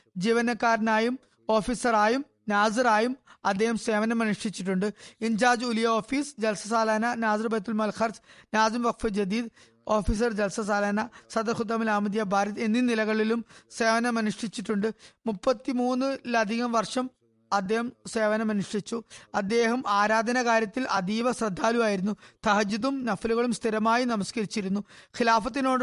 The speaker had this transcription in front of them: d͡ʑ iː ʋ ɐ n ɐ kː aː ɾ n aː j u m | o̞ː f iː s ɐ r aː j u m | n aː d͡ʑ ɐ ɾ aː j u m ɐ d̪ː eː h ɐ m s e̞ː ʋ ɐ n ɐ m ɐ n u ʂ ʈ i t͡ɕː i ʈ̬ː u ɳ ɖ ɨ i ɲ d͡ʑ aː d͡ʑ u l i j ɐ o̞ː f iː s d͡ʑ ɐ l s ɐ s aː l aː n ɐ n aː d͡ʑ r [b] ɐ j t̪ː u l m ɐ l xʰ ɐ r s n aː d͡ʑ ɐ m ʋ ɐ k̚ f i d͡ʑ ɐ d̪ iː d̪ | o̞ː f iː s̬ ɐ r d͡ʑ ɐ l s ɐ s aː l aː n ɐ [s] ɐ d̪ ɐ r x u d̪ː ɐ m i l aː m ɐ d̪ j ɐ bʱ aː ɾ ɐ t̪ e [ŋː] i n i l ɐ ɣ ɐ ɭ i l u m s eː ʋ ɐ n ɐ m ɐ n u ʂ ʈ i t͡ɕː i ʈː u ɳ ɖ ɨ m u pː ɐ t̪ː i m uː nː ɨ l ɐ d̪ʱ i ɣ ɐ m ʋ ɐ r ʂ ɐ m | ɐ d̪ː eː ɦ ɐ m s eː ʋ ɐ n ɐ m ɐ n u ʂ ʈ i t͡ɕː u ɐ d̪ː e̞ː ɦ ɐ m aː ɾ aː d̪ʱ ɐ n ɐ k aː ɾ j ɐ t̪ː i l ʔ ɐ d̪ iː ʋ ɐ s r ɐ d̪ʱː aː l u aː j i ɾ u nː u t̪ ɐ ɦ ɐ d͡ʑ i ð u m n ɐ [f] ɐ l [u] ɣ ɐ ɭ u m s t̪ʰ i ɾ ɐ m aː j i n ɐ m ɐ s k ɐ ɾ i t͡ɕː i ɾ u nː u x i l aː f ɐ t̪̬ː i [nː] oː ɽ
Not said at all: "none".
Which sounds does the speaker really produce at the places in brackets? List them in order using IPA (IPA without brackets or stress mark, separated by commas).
b, s, nː, f, u, n